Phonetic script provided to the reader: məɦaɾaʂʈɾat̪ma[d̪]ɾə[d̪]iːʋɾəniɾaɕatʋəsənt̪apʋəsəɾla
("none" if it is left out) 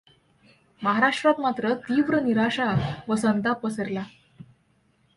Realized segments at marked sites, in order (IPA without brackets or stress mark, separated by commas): t̪, t̪